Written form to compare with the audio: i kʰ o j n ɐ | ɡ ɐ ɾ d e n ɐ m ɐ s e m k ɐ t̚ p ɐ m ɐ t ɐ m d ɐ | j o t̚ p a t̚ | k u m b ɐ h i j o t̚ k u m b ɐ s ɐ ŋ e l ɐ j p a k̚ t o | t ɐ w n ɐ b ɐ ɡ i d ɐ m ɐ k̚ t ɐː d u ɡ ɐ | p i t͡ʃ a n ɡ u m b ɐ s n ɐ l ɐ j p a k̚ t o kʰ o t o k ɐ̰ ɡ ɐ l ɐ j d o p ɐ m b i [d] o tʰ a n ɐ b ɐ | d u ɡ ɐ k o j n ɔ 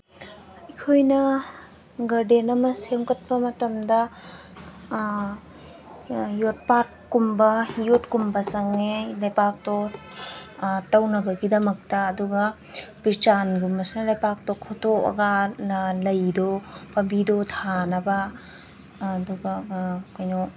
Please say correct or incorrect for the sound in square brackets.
correct